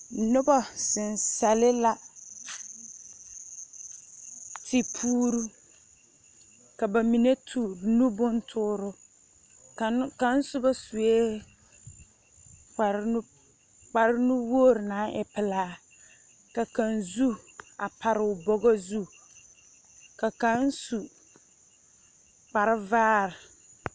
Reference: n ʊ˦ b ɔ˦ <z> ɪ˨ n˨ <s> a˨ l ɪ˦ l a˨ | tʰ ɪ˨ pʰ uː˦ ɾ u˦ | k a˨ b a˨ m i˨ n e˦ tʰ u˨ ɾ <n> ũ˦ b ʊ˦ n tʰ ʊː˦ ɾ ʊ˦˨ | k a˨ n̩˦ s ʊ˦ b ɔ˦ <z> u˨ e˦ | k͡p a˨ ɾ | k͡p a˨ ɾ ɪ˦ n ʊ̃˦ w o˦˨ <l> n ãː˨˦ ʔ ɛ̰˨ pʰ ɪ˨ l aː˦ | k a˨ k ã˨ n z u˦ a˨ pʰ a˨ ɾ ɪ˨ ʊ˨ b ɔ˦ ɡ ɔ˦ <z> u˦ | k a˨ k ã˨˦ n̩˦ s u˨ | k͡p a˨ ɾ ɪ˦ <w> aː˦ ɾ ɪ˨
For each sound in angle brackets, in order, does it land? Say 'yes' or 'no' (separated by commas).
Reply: no, yes, yes, no, no, yes, no